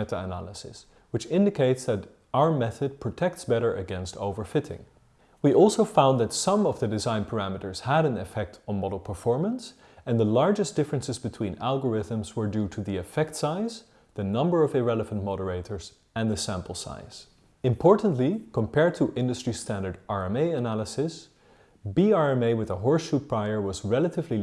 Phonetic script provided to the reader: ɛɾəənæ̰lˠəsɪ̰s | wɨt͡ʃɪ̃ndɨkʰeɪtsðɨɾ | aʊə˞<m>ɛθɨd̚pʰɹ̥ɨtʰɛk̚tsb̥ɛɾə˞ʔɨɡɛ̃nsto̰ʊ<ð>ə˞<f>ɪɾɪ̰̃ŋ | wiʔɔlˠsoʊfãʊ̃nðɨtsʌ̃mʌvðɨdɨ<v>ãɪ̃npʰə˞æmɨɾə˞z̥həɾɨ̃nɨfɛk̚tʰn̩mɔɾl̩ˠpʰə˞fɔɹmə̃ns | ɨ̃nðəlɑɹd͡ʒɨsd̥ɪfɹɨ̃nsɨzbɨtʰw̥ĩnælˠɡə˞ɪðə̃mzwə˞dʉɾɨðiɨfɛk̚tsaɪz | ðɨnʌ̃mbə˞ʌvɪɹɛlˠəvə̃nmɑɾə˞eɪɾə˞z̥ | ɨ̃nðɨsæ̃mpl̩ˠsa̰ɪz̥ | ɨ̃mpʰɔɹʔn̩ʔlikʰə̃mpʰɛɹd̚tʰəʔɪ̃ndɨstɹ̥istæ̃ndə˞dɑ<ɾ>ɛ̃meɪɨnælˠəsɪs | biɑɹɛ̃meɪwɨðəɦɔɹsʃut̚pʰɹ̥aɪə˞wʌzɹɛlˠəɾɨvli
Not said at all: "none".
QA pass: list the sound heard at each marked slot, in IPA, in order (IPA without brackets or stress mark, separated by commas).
m, v, f, z, ɹ